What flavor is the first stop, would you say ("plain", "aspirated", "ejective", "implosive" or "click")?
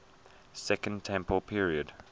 plain